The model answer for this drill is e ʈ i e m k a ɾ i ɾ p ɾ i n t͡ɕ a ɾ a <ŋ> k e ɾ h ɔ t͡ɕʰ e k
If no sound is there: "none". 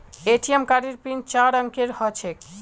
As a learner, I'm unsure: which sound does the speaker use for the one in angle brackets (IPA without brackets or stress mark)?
ŋ